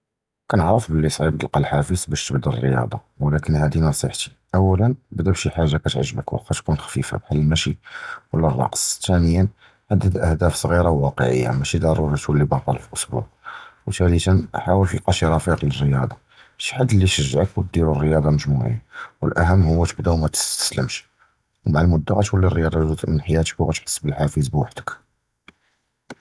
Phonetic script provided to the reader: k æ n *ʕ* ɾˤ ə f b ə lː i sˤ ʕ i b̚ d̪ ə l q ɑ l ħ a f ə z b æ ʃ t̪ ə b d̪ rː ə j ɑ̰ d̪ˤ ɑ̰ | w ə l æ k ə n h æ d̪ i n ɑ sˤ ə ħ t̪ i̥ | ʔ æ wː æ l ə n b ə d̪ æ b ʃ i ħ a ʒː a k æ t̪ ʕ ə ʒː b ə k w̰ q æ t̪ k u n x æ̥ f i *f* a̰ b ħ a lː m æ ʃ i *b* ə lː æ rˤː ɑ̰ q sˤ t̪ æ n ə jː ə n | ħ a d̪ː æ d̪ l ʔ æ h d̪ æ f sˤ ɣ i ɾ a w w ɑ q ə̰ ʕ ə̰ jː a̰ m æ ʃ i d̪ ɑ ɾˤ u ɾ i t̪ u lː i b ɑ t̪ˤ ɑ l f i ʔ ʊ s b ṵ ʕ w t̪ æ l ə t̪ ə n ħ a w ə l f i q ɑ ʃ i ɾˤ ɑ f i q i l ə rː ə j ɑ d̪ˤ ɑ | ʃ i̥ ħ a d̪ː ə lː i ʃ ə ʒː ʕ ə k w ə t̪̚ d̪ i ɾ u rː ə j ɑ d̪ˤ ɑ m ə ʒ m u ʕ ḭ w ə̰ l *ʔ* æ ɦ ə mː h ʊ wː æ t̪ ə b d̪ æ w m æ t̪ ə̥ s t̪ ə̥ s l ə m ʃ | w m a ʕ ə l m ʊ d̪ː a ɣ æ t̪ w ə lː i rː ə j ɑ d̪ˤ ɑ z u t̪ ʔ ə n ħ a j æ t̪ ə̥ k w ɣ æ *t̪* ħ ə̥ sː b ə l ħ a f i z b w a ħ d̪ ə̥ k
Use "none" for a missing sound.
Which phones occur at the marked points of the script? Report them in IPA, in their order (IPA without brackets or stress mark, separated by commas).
ʕ, f, w, ʔ, t̪